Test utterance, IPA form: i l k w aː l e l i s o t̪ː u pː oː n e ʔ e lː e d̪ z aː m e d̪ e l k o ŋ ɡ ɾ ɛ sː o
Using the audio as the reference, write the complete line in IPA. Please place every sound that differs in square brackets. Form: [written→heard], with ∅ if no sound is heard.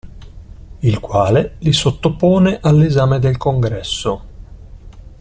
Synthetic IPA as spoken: i l k w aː l e l i s o t̪ː [u→o] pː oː n e ʔ [e→a] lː e [d̪→∅] z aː m e d̪ e l k o ŋ ɡ ɾ ɛ sː o